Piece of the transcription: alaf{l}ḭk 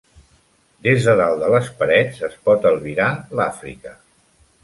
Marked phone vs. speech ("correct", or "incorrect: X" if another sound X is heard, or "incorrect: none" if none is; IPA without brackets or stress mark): incorrect: ɾ